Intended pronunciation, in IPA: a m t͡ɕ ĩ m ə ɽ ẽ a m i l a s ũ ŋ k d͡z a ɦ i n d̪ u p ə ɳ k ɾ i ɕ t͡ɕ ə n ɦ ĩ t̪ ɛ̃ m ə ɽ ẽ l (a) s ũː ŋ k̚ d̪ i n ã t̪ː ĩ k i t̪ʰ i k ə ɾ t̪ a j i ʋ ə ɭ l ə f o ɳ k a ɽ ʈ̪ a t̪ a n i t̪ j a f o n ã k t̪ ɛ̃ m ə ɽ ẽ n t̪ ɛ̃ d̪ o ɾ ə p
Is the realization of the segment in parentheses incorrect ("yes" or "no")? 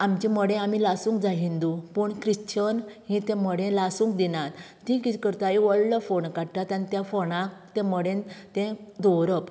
no